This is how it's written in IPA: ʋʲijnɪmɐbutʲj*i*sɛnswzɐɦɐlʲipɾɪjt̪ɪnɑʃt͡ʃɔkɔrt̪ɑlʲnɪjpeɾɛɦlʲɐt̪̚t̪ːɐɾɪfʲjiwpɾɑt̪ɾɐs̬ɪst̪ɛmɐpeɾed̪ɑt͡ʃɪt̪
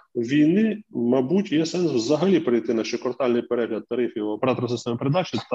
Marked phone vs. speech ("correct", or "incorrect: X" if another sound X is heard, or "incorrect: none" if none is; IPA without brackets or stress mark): incorrect: ɛ